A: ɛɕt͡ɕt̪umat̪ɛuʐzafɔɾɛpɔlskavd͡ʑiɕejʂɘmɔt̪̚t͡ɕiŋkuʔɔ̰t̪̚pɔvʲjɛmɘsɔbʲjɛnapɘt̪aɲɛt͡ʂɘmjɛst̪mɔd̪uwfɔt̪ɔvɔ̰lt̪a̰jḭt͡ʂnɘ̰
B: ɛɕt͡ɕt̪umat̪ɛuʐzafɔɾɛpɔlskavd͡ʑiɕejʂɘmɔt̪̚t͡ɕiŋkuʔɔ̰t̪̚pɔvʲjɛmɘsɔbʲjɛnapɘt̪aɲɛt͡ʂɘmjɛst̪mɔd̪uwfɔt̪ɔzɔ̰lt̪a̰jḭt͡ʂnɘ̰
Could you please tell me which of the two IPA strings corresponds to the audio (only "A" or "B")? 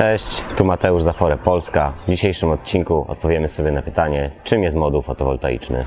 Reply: A